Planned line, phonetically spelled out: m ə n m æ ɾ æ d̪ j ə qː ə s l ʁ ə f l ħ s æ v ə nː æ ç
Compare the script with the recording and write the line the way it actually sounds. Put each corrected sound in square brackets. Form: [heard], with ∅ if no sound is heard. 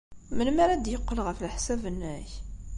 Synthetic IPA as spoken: m ə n m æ ɾ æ d̪ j ə qː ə [∅] l ʁ ə f l ħ s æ v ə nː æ ç